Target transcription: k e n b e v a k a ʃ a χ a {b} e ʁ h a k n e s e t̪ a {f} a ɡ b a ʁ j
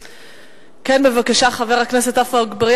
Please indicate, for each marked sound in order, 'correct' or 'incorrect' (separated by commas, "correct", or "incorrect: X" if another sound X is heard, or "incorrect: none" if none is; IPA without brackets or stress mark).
incorrect: v, correct